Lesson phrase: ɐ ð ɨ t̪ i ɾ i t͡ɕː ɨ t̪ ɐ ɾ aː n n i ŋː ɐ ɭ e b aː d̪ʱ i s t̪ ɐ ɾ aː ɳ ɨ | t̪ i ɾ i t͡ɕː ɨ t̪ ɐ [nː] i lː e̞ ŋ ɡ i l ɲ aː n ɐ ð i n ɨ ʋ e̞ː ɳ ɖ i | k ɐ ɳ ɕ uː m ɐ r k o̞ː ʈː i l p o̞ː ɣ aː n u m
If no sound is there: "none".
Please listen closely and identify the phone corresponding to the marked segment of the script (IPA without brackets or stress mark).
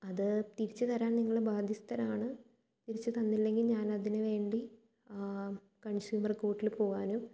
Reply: nː